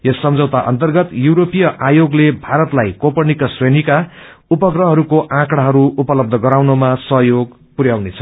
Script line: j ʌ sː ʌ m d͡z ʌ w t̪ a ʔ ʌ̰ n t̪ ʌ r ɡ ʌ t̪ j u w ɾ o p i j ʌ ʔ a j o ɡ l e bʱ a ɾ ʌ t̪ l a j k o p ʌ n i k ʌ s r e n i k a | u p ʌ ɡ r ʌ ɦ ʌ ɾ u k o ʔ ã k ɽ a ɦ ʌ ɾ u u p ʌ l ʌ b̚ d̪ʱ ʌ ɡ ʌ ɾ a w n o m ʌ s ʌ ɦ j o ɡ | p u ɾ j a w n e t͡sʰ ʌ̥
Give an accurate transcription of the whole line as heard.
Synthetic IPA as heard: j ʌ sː ʌ m d͡z ʌ w t̪ a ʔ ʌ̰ n t̪ ʌ r ɡ ʌ t̪ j u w ɾ o p i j ʌ ʔ a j o ɡ l e bʱ a ɾ ʌ t̪ l a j k o p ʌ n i k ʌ s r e n i k a | u p ʌ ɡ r ʌ ɦ ʌ ɾ u k o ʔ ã k ɽ a ɦ ʌ ɾ u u p ʌ l ʌ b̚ d̪ʱ ʌ ɡ ʌ ɾ a w n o m a s ʌ ɦ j o ɡ | p u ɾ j a w n e t͡sʰ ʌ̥